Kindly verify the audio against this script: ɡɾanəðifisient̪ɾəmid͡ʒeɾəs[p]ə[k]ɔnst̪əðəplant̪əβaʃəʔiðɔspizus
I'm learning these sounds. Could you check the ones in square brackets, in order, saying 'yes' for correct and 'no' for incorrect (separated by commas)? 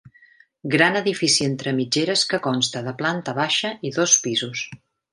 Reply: no, yes